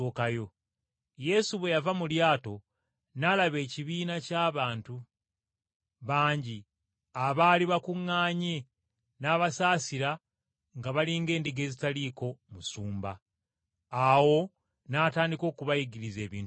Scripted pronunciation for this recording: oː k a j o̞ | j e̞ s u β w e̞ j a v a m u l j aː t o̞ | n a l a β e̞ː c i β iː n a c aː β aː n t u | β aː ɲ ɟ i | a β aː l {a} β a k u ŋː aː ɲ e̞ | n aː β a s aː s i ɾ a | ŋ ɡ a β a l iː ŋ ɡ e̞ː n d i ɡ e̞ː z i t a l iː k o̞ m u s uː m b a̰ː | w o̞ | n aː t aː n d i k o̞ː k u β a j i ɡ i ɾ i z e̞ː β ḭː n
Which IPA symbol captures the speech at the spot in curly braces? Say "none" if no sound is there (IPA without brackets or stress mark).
i